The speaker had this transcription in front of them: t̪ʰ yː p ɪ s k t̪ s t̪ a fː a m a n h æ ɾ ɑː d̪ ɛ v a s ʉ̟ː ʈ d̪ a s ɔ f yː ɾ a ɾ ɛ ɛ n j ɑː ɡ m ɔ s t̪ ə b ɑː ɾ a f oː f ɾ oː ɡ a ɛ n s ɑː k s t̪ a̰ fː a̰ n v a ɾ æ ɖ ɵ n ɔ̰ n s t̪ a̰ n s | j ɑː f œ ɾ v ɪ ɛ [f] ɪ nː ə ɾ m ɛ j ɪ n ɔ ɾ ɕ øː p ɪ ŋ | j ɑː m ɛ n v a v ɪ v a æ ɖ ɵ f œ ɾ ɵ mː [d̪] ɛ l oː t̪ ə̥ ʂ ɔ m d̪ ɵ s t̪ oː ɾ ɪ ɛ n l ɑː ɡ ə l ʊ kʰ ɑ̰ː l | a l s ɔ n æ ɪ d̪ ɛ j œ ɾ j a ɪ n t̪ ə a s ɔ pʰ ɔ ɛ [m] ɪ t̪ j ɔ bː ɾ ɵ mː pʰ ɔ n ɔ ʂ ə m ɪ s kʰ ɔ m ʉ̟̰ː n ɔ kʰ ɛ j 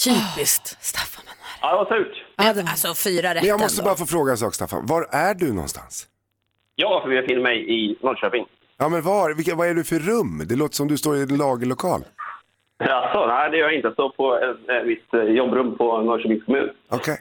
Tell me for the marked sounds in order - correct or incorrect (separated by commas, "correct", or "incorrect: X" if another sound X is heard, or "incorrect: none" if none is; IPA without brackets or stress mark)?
correct, correct, correct